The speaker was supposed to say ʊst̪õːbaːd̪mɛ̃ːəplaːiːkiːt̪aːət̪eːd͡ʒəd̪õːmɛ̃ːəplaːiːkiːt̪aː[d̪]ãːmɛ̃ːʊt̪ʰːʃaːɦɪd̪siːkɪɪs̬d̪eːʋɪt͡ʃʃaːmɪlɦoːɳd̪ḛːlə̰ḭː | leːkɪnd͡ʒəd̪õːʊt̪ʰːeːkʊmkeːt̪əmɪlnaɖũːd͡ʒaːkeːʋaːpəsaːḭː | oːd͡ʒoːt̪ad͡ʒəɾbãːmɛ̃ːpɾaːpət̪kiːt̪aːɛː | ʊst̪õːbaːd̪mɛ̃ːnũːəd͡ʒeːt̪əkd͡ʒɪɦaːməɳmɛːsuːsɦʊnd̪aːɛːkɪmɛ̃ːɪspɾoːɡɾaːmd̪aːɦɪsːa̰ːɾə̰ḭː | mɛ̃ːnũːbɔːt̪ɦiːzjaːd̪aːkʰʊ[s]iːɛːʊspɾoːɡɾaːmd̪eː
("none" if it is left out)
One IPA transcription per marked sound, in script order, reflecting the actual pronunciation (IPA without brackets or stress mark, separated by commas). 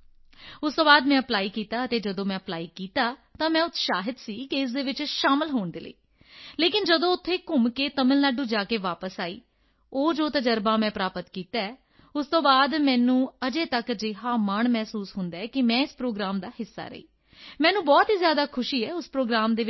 t̪, ʃ